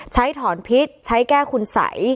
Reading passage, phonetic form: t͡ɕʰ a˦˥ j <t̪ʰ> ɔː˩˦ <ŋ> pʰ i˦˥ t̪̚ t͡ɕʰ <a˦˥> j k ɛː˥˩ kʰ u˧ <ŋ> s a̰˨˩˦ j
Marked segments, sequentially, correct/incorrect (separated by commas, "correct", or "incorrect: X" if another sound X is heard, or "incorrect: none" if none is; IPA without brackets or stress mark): correct, incorrect: n, correct, incorrect: n